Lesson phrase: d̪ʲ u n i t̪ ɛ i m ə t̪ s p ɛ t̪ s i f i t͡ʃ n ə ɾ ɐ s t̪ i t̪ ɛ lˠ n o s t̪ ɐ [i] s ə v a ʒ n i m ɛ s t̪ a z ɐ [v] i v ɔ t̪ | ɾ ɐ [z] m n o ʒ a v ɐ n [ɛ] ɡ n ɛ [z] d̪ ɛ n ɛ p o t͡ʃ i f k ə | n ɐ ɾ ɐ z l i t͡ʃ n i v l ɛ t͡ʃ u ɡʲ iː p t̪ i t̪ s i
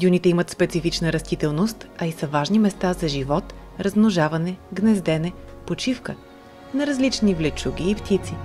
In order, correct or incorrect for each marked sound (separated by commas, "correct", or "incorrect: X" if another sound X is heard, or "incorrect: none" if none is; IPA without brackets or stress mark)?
correct, incorrect: ʒ, correct, correct, correct